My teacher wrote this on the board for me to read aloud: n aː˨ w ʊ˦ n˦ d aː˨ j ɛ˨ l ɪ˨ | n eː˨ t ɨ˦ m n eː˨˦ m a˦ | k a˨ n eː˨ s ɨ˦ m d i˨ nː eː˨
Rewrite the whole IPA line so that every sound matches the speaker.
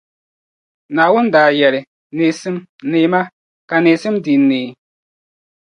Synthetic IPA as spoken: n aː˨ w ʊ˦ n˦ d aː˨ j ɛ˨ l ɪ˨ | n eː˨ s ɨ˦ m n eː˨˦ m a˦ | k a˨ n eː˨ s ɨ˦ m d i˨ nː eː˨